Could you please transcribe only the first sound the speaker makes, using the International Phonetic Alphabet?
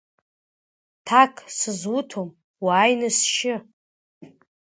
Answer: tʰ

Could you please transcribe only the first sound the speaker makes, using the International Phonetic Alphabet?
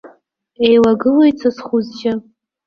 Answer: e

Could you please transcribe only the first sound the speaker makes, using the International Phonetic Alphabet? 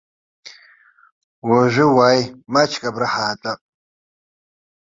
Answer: w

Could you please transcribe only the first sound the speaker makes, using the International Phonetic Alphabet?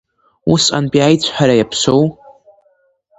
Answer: u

